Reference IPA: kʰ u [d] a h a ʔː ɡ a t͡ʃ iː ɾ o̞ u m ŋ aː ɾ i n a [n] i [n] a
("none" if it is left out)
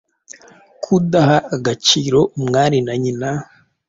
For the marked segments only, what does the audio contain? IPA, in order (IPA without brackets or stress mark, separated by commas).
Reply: d, ɲ, n